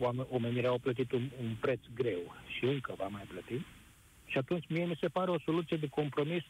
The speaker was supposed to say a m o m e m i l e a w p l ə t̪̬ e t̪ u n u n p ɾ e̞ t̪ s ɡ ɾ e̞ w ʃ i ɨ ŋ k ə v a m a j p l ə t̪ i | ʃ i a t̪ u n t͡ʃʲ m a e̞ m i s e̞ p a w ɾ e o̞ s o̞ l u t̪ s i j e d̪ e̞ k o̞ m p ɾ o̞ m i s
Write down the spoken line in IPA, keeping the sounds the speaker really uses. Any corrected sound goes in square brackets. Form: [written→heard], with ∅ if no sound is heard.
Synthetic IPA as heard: a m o m e [m→n] i [l→ɾ] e a w p l ə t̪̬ [e→i] t̪ u n u n p ɾ e̞ t̪ s ɡ ɾ e̞ w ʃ i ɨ ŋ k ə v a m a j p l ə t̪ i | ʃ i a t̪ u n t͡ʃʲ m [a→i] e̞ m i s e̞ p a [w→∅] ɾ e o̞ s o̞ l u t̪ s i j e d̪ e̞ k o̞ m p ɾ o̞ m i s